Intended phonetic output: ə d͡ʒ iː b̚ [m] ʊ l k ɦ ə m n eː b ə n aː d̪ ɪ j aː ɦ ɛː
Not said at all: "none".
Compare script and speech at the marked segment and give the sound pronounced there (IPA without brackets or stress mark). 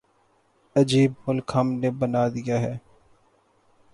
m